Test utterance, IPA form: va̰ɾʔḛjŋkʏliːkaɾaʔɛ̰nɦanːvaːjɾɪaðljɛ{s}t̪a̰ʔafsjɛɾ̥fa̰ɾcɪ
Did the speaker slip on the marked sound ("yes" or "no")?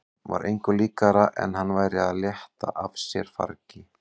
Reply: yes